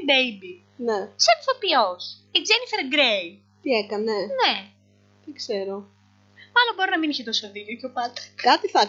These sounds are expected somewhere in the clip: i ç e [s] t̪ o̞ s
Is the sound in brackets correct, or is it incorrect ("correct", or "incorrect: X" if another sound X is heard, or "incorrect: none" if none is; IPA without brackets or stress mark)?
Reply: incorrect: none